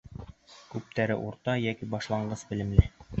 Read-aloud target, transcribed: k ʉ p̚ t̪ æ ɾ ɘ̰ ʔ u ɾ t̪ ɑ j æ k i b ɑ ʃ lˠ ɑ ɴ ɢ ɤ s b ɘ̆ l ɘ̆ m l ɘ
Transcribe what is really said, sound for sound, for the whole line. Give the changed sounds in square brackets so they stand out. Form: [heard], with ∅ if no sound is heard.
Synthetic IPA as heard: k ʉ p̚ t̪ æ ɾ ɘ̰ ʔ u ɾ t̪ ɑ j æ k i b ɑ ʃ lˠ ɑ ɴ ɢ ɤ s b ɘ̆ l ɘ̆ m l ɘ

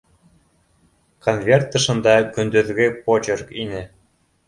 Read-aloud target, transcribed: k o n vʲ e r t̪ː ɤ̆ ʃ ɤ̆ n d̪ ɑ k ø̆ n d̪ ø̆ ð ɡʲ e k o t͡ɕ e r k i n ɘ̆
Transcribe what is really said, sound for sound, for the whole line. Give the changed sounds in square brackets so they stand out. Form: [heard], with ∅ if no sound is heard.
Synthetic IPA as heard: k o n vʲ e r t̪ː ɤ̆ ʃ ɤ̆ n d̪ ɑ k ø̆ n d̪ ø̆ ð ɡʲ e [p] o t͡ɕ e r k i n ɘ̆

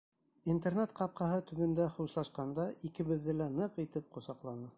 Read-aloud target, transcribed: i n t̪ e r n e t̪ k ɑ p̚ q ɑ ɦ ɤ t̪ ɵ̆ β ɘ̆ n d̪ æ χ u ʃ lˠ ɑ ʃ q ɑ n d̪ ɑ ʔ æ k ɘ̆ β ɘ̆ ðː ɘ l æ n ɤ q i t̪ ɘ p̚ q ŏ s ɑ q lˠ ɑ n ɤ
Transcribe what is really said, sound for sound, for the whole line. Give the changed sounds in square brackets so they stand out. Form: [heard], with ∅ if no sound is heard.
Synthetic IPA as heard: i n t̪ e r n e t̪ [q] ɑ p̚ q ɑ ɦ ɤ t̪ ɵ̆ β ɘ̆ n d̪ æ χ u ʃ lˠ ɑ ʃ q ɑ n d̪ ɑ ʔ [i] k ɘ̆ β ɘ̆ ðː ɘ l æ n ɤ q i t̪ ɘ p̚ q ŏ s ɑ q lˠ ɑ n ɤ

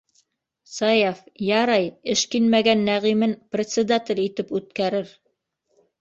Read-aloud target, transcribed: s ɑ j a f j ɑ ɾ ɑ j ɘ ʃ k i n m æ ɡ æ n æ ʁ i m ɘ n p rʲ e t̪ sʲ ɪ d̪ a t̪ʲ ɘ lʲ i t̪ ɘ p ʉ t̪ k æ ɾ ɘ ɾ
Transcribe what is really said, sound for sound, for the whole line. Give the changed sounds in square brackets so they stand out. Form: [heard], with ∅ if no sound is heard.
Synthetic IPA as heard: s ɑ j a f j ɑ ɾ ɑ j ɘ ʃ k i n m æ ɡ æ [nː] æ ʁ i m ɘ n p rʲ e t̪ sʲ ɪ d̪ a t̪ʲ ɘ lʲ i t̪ ɘ p ʉ t̪ k æ ɾ ɘ ɾ

